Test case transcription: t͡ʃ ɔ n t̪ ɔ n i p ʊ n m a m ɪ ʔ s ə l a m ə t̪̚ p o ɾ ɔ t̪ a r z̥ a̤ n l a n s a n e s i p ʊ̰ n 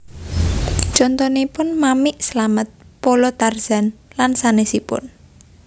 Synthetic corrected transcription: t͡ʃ ɔ n t̪ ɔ n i p ʊ n m a m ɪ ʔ s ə l a m ə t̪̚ p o l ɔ t̪ a r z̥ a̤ n l a n s a n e s i p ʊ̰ n